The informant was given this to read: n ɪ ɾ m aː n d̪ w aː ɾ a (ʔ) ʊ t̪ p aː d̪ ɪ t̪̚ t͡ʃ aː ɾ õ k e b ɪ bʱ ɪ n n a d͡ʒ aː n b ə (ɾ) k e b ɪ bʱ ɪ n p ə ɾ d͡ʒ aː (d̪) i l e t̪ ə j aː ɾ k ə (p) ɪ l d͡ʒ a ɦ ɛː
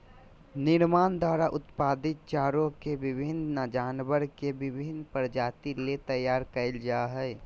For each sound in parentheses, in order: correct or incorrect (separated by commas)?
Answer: correct, correct, incorrect, incorrect